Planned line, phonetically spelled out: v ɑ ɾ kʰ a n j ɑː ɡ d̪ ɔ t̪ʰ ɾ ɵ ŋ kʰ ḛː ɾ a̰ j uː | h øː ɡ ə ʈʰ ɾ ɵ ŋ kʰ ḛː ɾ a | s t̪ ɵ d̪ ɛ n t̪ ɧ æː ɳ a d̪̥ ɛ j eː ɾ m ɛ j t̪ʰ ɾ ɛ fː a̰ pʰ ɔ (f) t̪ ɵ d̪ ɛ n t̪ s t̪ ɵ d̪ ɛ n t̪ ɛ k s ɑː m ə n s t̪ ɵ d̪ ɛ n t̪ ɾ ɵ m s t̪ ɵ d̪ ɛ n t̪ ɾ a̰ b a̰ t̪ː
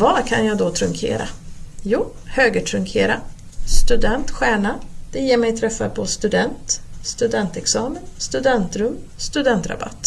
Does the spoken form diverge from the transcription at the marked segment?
yes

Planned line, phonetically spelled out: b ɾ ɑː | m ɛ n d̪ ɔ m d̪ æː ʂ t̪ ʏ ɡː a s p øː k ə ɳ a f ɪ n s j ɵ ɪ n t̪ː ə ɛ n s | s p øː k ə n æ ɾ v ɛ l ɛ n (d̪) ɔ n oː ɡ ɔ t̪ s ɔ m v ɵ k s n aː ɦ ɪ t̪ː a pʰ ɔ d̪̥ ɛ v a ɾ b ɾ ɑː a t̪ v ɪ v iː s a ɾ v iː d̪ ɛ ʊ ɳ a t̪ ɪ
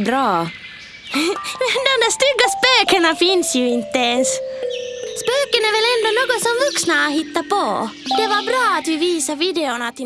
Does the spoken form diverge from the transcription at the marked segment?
no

